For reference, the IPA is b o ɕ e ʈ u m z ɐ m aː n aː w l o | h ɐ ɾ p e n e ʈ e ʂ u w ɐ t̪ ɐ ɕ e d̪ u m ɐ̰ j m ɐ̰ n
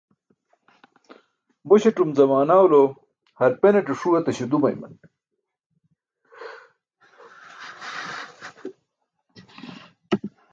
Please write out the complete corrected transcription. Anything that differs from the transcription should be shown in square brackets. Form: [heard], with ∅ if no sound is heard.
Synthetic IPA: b o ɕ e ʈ u m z ɐ m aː n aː w l o | h ɐ ɾ p e n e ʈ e ʂ u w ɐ t̪ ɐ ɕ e d̪ u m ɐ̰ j m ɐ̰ n